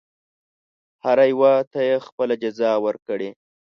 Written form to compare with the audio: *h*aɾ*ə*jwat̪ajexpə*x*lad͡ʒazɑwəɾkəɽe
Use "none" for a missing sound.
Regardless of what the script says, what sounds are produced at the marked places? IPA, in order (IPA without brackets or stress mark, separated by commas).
h, a, none